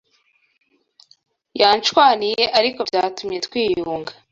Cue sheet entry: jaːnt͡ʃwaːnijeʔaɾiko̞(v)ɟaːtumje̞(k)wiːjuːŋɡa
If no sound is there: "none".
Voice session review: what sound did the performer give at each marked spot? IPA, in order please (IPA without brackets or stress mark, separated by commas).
v, t